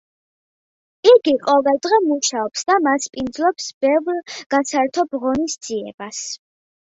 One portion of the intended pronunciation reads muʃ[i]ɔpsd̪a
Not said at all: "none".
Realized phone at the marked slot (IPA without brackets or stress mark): a